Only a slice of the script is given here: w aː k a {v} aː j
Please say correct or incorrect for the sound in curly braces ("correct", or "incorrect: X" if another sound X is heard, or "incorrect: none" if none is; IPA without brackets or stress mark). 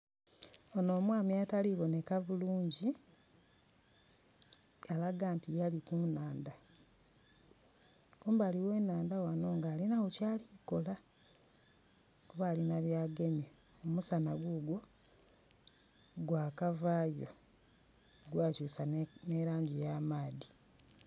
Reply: correct